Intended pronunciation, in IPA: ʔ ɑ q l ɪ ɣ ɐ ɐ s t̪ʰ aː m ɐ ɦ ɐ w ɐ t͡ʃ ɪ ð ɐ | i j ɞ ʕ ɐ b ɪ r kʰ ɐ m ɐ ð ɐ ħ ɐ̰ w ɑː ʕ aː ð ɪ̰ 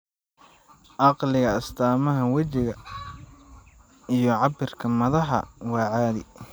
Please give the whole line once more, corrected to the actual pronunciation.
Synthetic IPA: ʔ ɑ q l ɪ ɣ ɐ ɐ s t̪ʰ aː m ɐ ɦ ɐ w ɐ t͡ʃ ɪ ɣ ɐ | i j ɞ ʕ ɑ b ɪ r kʰ ɐ m ɐ ð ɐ ħ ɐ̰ w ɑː ʕ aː ð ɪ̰